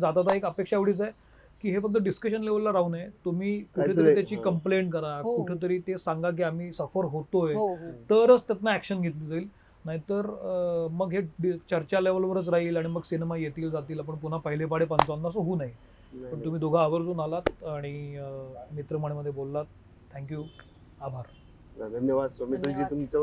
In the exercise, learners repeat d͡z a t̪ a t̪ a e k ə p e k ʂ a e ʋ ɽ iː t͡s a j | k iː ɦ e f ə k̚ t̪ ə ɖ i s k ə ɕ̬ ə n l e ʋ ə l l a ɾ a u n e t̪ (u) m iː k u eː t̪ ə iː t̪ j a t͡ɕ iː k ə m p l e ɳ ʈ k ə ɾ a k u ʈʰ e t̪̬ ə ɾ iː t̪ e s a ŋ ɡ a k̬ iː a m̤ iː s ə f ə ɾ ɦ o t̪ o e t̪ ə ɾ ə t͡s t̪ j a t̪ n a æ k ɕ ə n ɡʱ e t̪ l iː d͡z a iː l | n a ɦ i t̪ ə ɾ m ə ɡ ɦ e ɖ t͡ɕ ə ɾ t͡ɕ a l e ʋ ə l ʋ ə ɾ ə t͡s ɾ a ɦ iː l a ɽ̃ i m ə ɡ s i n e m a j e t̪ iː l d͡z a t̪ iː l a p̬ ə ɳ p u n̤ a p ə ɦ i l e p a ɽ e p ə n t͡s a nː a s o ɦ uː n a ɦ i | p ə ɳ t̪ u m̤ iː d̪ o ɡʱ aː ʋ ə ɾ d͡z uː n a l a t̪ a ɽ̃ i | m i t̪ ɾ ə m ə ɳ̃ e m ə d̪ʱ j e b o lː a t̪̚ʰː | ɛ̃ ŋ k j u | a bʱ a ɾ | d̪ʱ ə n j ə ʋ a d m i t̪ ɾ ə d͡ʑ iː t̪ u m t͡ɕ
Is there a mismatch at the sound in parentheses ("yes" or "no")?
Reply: no